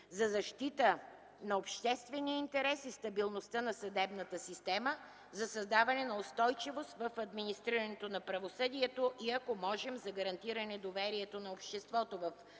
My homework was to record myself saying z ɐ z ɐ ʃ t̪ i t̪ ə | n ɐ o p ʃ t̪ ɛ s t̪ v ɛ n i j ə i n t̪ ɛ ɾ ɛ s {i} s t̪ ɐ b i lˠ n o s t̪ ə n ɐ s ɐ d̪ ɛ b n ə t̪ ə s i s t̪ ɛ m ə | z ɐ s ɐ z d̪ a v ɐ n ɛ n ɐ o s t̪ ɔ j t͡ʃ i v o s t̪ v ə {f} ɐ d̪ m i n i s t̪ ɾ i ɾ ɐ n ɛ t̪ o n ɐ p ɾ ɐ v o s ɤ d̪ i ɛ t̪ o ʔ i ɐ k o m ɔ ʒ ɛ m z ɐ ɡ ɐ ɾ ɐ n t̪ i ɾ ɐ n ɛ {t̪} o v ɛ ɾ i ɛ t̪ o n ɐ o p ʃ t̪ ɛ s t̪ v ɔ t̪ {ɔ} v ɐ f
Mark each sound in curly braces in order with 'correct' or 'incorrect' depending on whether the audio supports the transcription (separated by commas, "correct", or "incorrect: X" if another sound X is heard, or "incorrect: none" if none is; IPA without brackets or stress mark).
correct, correct, incorrect: d̪, incorrect: o